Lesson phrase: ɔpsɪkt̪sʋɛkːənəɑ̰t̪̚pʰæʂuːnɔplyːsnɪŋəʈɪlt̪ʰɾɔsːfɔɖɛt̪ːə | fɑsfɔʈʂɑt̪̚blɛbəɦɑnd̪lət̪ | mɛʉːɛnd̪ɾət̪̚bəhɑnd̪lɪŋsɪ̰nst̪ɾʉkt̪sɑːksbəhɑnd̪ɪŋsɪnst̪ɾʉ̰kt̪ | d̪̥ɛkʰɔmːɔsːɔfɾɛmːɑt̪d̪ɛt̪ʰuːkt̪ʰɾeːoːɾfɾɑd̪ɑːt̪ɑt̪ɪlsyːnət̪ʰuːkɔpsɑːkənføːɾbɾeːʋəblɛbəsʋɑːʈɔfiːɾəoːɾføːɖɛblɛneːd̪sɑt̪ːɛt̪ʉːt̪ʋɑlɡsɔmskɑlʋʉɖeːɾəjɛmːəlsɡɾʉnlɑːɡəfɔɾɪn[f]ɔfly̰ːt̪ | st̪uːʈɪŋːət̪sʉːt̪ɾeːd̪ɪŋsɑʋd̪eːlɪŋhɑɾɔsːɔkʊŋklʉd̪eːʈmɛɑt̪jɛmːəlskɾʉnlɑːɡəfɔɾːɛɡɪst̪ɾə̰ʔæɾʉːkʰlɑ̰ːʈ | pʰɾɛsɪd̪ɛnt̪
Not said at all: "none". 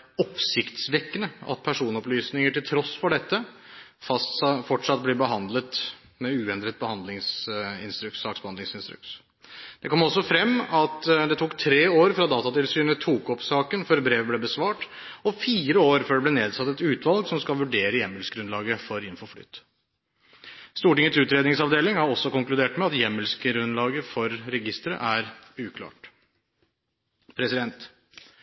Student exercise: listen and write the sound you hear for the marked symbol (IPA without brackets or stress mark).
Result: f